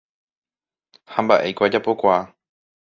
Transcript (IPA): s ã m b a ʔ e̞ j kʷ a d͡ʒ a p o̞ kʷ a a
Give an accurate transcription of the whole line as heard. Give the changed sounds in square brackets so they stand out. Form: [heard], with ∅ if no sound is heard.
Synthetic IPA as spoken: [h] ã m b a ʔ e̞ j kʷ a d͡ʒ a p o̞ kʷ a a